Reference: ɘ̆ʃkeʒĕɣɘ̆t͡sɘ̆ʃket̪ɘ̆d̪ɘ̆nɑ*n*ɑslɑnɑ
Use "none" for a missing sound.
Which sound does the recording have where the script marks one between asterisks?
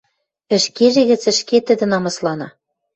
m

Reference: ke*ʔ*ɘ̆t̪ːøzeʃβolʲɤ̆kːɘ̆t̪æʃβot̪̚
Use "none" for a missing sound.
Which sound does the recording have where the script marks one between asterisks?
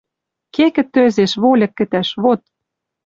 k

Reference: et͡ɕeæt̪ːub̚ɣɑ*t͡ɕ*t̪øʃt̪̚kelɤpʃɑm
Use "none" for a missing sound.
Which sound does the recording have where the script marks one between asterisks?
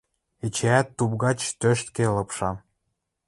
t͡ɕ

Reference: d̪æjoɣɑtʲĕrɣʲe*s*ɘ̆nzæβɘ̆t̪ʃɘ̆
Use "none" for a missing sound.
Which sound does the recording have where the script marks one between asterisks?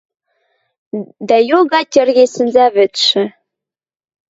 s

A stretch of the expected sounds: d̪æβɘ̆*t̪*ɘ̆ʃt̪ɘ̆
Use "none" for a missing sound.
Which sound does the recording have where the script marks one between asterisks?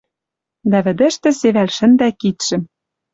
d̪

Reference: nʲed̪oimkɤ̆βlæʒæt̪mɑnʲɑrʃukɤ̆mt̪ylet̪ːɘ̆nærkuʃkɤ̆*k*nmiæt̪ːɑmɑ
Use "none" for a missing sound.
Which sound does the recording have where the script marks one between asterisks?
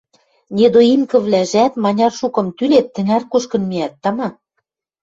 none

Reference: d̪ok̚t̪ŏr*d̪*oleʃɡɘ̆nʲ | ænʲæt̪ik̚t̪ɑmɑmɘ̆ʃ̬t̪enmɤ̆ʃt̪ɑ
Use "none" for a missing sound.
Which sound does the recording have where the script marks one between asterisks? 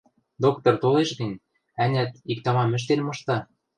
t̪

